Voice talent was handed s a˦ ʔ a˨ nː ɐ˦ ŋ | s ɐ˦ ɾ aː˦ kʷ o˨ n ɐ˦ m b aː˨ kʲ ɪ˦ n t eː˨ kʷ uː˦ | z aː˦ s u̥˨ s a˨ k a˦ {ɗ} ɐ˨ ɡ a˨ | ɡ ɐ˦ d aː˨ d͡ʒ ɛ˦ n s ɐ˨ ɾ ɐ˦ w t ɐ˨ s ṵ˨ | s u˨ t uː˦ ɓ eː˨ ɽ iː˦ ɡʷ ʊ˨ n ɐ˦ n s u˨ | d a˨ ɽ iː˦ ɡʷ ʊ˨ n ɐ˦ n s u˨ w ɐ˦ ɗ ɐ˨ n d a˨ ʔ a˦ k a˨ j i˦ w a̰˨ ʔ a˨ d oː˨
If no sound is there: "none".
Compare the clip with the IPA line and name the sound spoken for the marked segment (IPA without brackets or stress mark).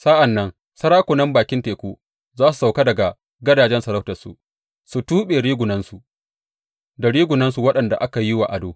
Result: d